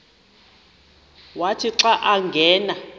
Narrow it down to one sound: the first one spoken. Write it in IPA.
w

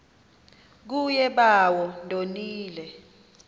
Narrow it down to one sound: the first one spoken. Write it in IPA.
k̬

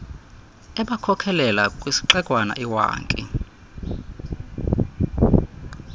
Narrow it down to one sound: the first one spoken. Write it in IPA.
ɛ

